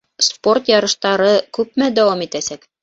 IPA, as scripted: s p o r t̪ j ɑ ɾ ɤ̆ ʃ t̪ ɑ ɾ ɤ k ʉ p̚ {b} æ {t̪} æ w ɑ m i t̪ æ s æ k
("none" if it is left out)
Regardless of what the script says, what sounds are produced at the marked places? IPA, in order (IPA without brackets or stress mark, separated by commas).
m, d̪